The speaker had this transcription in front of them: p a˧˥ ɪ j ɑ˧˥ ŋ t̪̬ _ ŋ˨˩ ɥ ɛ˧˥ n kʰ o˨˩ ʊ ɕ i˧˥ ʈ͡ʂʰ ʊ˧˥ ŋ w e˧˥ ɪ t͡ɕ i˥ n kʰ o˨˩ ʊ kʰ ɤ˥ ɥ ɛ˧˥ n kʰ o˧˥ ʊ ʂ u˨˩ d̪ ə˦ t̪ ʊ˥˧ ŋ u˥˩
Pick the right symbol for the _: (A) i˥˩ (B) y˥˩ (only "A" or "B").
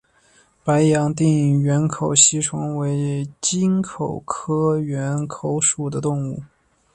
A